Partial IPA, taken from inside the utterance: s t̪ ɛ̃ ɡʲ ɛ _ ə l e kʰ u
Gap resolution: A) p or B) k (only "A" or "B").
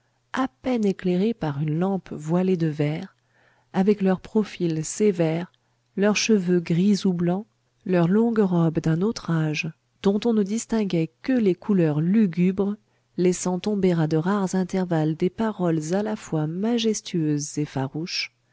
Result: B